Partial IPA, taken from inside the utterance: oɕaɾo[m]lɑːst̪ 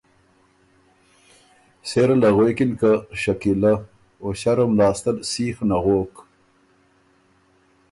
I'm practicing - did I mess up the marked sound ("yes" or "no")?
no